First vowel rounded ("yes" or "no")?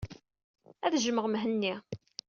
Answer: no